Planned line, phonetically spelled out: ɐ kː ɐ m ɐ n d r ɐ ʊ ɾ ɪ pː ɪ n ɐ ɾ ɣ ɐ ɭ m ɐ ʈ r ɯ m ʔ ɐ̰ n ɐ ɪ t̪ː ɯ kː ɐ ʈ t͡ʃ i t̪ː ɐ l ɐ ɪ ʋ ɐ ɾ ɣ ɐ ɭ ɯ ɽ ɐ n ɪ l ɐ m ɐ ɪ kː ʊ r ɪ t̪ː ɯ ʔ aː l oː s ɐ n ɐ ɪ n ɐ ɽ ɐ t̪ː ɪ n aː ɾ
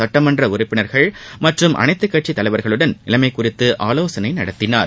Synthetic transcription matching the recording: ɐ ʈː ɐ m ɐ n d r ɐ ʊ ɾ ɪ pː ɪ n ɐ ɾ ɣ ɐ ɭ m ɐ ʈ r ɯ m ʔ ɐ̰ n ɐ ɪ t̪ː ɯ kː ɐ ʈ t͡ʃ i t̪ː ɐ l ɐ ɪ ʋ ɐ ɾ ɣ ɐ ɭ ɯ ɽ ɐ n ɪ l ɐ m ɐ ɪ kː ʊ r ɪ t̪ː ɯ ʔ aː l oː s ɐ n ɐ ɪ n ɐ ɽ ɐ t̪ː ɪ n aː ɾ